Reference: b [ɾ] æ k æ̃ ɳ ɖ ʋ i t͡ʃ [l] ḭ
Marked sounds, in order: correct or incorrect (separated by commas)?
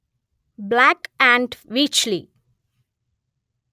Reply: incorrect, correct